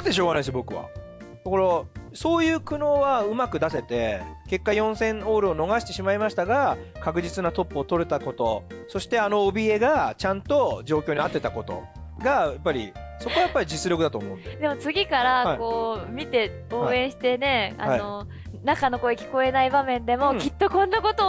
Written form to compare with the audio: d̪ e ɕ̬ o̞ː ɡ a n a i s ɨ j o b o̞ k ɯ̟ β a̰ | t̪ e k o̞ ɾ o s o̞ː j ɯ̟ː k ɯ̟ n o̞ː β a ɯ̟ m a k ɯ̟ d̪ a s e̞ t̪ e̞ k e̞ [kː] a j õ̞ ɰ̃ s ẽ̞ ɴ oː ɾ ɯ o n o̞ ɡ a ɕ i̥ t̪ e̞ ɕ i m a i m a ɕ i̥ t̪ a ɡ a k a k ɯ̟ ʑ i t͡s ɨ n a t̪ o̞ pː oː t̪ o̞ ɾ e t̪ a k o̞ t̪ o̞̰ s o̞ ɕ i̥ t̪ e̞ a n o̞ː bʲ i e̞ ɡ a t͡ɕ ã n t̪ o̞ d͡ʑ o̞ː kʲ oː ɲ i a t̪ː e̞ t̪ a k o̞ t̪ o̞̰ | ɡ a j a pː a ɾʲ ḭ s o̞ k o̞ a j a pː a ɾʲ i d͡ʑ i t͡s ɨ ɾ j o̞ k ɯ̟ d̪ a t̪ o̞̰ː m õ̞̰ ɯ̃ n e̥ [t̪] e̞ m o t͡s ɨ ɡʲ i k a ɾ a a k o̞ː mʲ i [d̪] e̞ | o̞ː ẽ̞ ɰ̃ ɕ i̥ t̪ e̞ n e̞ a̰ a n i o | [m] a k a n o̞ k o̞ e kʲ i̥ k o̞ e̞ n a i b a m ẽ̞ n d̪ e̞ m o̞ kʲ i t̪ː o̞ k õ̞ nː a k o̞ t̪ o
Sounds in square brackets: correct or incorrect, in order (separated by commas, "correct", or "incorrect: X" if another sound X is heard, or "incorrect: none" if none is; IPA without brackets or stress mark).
correct, incorrect: d̪, incorrect: t̪, incorrect: n